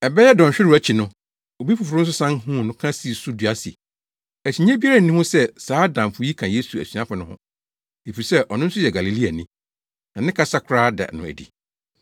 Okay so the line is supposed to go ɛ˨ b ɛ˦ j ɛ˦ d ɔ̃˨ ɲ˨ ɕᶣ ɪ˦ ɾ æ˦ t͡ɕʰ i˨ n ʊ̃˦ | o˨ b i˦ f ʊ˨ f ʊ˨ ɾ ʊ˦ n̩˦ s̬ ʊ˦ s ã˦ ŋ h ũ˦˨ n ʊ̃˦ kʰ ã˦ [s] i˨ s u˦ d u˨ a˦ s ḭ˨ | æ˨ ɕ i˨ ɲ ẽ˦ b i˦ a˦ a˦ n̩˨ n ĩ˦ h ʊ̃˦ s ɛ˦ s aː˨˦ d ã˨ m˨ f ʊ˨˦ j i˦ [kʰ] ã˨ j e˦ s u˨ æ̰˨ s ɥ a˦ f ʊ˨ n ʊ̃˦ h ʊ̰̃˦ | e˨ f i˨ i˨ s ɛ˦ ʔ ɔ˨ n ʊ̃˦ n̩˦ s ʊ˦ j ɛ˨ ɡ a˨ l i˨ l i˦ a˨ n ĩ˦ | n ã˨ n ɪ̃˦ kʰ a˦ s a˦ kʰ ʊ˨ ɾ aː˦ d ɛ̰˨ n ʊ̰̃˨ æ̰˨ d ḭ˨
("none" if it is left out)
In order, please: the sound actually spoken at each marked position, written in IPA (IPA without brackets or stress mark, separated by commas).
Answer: s, kʰ